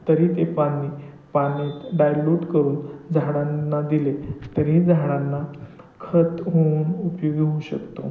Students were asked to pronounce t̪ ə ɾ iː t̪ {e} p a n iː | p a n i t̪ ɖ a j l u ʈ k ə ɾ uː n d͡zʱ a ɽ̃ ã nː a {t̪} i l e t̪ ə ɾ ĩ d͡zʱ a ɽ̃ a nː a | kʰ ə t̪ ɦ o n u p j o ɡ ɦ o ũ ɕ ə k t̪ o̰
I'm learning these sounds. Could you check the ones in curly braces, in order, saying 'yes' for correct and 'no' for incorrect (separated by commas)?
yes, no